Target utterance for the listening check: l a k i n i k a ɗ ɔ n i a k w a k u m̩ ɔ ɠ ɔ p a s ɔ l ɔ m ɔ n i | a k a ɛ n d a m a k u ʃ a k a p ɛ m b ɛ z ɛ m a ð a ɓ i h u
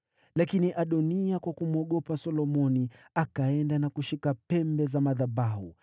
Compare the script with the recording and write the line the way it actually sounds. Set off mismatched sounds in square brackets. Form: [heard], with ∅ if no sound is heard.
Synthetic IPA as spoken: l a k i n i [ʔ] a ɗ ɔ n i a k w a k u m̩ ɔ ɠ ɔ p a s ɔ l ɔ m ɔ n i | a k a ɛ n d a [n] a k u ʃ [i] k a p ɛ m b ɛ z [a] m a ð a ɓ [a] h u